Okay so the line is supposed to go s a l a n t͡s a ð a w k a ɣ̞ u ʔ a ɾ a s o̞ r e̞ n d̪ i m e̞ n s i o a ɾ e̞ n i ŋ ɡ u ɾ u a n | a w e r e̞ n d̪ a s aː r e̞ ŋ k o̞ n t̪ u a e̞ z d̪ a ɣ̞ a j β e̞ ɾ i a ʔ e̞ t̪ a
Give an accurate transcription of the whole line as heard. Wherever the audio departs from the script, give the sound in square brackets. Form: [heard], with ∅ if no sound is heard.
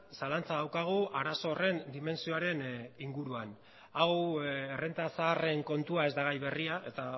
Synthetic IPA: s a l a n t͡s a ð a w k a ɣ̞ u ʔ a ɾ a s o̞ r e̞ n d̪ i m e̞ n s i o a ɾ e̞ n i ŋ ɡ u ɾ u a n | a w e r e̞ n [t̪] a s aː r e̞ ŋ k o̞ n t̪ u a e̞ z d̪ a ɣ̞ a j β e̞ [r] i a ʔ e̞ t̪ a